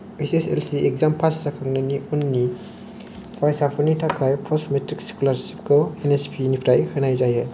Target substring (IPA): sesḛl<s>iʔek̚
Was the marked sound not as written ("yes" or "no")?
no